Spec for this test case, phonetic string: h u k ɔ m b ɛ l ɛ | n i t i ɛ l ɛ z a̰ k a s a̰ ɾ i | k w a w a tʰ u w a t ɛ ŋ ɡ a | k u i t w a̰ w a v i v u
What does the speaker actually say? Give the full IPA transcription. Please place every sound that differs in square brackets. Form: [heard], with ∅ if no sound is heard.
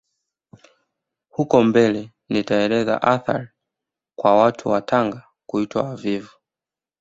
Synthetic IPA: h u k ɔ m b ɛ l ɛ | n i t [a] ɛ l ɛ z a̰ [ʔ] a [θ] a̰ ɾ i | k w a w a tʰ u w a t [a] ŋ ɡ a | k u i t w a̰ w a v i v u